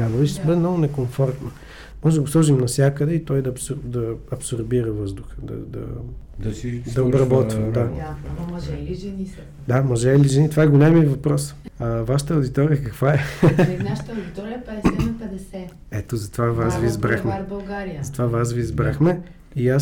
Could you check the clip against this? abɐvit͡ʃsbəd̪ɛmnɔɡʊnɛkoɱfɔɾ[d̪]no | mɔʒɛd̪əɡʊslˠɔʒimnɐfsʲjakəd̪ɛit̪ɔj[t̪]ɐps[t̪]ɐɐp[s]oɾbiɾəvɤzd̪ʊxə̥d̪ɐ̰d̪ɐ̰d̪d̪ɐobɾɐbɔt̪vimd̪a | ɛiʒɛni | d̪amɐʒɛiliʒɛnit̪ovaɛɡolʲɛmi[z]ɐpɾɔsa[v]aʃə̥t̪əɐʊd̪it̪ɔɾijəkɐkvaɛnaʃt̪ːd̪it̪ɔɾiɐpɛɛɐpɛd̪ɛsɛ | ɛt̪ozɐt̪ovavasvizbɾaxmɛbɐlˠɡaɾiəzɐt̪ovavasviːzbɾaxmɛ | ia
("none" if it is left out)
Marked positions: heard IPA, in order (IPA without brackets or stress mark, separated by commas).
t̪, d̪, d̪, s, v, v